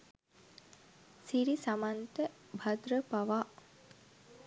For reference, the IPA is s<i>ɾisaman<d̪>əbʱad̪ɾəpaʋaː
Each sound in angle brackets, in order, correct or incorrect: correct, incorrect: t̪

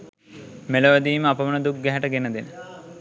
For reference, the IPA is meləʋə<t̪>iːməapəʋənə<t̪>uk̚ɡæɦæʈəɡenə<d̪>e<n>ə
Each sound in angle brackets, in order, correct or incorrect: incorrect: d̪, incorrect: d̪, correct, correct

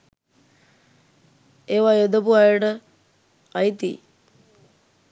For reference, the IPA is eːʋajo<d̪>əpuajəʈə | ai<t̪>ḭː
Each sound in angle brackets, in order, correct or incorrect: correct, correct

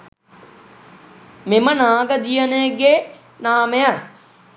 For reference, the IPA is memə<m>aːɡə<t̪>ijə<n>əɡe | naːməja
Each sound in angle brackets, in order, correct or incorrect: incorrect: n, incorrect: d̪, correct

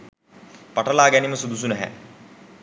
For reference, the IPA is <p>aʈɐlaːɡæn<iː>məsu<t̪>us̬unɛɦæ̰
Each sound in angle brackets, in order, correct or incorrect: correct, incorrect: i, incorrect: d̪

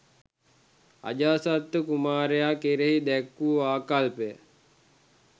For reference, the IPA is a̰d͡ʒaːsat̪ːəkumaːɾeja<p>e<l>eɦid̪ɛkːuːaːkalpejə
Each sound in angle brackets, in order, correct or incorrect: incorrect: k, incorrect: ɾ

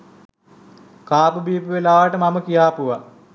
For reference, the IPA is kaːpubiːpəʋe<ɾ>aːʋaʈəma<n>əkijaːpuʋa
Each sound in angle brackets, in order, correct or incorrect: incorrect: l, incorrect: m

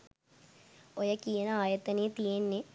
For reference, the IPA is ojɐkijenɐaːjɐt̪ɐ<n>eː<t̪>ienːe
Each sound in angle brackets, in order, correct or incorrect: correct, correct

